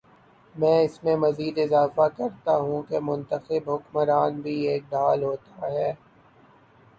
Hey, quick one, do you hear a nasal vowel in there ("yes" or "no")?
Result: yes